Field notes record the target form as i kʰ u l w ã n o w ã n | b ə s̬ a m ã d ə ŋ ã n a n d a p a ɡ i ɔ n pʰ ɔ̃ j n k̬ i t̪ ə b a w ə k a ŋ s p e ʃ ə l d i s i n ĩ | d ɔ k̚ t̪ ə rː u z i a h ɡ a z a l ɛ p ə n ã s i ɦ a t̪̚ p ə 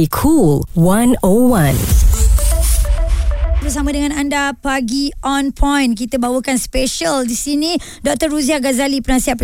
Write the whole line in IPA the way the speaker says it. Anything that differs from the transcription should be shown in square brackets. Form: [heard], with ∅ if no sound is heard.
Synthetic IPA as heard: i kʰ u l w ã n o w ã n | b ə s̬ a m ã d ə ŋ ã n a n d a p a ɡ i ɔ n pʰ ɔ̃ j n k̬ i t̪ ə b a w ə k a [n] s p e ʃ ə l d i s i n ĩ | d ɔ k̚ t̪ ə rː u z i a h ɡ a z a l [i] p ə n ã s i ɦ a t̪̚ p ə